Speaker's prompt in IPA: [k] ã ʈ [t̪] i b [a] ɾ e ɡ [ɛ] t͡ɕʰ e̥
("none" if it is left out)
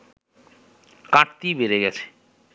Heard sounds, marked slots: k, t̪, e, ɛ

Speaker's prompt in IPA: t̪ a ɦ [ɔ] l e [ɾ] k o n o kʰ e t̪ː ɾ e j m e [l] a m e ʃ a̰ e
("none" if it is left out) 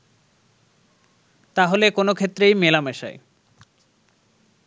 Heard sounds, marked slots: o, none, l

